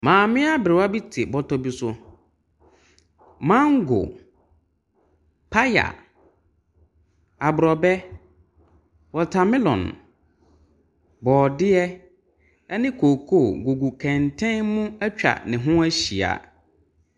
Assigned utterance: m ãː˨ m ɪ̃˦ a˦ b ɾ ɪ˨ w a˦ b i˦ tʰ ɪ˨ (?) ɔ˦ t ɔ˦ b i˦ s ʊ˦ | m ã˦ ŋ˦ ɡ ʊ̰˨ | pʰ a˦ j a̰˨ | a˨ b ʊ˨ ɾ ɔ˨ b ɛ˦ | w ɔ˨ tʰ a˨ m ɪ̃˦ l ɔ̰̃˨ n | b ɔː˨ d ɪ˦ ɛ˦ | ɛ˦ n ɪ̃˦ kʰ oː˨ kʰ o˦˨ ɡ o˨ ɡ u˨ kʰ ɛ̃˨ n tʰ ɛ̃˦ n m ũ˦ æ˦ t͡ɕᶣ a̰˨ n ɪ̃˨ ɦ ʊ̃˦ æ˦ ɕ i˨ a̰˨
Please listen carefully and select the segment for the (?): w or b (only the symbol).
b